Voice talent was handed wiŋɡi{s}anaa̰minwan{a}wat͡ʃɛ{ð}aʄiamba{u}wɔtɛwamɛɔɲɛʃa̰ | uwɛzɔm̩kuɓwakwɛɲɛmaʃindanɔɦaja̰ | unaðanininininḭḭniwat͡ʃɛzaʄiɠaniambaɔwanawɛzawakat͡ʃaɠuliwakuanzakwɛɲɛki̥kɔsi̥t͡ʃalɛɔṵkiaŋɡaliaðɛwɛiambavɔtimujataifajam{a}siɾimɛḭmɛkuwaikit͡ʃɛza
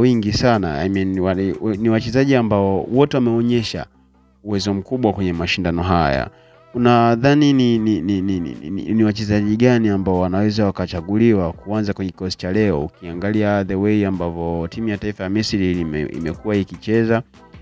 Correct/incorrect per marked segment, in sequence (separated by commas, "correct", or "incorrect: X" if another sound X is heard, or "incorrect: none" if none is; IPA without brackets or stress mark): correct, incorrect: i, incorrect: z, incorrect: ɔ, incorrect: i